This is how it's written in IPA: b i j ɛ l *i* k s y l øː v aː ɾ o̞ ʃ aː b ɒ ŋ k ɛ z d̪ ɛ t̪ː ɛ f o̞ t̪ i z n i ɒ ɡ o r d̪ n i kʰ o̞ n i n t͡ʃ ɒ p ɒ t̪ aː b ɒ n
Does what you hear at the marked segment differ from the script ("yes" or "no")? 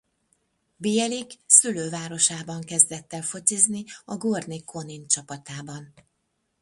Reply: no